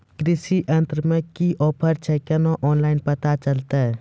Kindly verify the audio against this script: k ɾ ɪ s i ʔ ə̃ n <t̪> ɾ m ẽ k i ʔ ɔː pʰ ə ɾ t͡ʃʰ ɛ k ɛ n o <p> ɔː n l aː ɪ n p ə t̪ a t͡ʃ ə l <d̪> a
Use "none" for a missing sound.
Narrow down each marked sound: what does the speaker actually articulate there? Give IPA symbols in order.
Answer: t̪, ʔ, t̪

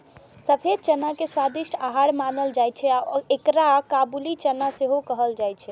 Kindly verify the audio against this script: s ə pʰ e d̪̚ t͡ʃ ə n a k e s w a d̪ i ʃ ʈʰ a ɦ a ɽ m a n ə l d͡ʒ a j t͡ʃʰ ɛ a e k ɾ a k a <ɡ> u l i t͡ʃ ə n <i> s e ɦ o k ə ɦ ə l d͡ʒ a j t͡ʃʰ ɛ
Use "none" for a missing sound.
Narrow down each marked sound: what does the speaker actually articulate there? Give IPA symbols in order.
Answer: b, a

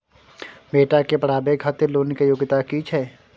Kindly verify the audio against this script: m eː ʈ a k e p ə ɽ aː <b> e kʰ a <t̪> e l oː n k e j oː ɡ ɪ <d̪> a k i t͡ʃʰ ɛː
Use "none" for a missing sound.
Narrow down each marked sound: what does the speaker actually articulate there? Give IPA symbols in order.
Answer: b, t̪, t̪

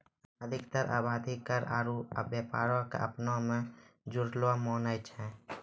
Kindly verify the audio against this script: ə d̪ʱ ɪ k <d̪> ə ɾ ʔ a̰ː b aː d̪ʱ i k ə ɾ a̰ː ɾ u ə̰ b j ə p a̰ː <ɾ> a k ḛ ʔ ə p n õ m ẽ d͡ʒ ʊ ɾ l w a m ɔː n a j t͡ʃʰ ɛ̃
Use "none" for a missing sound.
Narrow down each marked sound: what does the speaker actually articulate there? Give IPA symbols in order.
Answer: t̪, ɾ

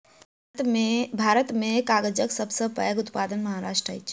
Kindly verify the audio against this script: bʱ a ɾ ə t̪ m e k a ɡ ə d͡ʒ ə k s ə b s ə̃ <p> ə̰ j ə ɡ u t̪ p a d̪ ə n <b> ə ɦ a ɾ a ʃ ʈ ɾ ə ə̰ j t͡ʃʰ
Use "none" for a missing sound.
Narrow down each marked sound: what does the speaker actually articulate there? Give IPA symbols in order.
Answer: p, m

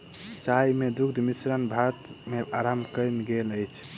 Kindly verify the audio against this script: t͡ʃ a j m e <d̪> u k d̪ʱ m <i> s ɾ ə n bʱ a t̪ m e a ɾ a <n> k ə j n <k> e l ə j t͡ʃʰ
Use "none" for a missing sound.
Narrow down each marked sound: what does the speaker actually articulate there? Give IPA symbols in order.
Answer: d̪, i, m, ɡ

